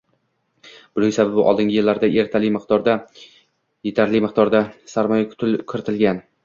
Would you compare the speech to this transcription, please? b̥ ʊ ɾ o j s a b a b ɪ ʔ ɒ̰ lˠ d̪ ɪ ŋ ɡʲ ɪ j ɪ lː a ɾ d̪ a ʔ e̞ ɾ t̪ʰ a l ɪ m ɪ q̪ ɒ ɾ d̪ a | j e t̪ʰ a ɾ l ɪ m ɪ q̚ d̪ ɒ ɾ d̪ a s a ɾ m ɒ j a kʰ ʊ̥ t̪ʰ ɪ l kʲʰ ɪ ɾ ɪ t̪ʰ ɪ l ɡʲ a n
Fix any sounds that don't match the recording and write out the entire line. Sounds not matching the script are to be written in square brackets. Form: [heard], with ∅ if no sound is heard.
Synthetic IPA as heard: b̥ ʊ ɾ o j s a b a b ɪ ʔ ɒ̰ lˠ d̪ ɪ ŋ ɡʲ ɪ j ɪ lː a ɾ d̪ a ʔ e̞ ɾ t̪ʰ a l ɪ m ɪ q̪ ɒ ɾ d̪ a | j e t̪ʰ a ɾ l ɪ m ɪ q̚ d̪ ɒ ɾ d̪ a s a ɾ m ɒ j a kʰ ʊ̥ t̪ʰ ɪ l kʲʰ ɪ ɾ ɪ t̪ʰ ɪ l ɡʲ a n